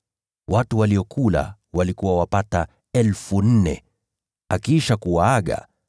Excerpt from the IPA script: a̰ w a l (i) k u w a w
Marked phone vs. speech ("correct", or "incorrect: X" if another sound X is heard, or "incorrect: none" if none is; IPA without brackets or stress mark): correct